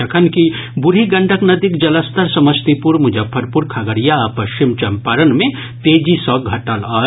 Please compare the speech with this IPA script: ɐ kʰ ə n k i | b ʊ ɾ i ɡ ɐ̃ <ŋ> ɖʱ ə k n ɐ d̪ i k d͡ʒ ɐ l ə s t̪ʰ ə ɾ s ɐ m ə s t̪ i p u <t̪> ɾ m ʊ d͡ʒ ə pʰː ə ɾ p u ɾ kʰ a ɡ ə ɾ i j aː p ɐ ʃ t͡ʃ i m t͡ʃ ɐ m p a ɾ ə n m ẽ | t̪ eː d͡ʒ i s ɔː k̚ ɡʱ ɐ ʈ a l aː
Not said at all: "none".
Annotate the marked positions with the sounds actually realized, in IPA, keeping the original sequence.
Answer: ɳ, none

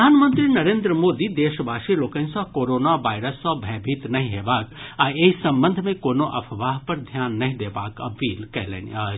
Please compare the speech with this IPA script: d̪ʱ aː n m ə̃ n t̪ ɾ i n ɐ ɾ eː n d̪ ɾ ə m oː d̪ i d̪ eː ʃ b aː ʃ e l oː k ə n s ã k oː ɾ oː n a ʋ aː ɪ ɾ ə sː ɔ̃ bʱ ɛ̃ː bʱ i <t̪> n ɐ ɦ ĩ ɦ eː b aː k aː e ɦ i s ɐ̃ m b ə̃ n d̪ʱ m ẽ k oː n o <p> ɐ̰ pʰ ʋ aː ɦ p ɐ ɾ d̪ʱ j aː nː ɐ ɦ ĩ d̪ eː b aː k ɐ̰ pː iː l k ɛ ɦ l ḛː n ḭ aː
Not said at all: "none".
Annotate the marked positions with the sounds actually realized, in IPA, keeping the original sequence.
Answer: t̪, ʔ

